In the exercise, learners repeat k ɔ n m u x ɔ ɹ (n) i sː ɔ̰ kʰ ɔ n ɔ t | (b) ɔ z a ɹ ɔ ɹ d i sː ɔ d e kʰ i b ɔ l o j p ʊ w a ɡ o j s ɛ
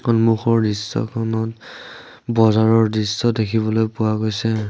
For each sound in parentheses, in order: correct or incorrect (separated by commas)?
incorrect, correct